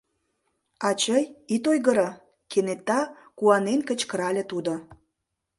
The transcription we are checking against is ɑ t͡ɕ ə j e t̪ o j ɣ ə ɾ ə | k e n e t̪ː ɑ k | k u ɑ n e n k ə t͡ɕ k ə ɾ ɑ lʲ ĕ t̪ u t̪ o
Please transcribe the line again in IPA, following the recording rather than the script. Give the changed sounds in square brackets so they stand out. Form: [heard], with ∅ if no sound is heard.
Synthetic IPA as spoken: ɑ t͡ɕ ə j [i] t̪ o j ɣ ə ɾ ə | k e n e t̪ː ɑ [∅] | k u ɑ n e n k ə t͡ɕ k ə ɾ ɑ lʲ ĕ t̪ u [d̪] o